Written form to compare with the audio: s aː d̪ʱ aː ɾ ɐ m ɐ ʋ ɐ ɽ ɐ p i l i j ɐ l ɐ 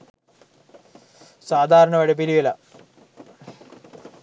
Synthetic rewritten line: s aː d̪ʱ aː ɾ ɐ ɳ ɐ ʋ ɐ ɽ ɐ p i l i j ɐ l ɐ